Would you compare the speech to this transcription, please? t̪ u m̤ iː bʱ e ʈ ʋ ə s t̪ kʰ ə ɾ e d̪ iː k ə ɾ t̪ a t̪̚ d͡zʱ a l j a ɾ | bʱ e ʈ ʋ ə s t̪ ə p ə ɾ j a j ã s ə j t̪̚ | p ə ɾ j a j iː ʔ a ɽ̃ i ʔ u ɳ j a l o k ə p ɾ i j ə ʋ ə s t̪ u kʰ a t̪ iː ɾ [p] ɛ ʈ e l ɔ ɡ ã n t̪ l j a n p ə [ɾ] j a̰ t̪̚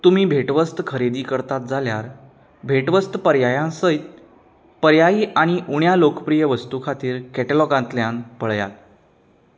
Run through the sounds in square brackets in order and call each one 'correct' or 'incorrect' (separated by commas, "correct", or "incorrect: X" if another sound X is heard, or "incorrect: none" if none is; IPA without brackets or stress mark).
incorrect: k, incorrect: ɭ